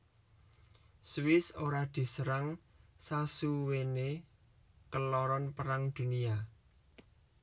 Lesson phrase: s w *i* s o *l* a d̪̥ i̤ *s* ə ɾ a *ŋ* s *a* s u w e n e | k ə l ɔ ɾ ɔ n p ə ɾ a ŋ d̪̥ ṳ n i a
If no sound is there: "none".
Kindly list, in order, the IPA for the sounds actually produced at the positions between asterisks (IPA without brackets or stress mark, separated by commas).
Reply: ɪ, ɾ, s, ŋ, a